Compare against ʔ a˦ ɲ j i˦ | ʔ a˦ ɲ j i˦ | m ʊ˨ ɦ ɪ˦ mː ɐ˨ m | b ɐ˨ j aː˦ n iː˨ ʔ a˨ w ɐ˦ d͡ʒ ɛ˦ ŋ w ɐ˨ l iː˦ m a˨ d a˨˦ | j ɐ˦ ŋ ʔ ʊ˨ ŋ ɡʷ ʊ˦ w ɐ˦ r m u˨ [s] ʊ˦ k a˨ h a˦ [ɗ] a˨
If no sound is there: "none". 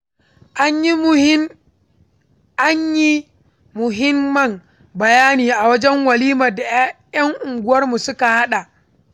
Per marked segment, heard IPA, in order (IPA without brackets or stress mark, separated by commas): s, ɗ